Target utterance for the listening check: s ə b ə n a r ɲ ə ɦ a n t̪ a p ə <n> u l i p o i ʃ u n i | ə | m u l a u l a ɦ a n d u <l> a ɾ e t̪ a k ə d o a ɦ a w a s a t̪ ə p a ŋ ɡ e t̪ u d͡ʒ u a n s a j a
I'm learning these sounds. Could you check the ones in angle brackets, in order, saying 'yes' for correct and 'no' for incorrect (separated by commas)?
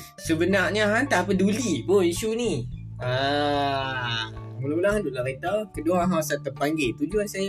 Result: no, yes